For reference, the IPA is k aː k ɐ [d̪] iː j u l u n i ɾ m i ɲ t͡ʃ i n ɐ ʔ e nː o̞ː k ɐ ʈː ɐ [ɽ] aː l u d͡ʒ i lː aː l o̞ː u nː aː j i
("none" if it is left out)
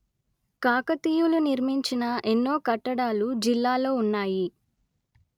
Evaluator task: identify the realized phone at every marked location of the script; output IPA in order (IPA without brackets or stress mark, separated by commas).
t̪, ɽ